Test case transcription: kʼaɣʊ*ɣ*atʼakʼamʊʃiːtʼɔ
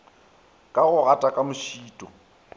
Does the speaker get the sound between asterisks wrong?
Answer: no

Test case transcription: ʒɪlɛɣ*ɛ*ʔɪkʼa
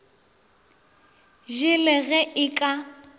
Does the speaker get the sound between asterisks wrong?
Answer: no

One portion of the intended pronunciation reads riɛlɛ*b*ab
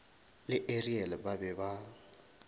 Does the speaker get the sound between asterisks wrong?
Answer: no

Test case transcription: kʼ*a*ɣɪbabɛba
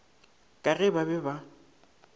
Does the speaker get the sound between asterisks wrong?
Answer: no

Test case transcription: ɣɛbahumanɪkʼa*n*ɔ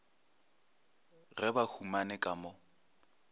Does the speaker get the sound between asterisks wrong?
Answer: yes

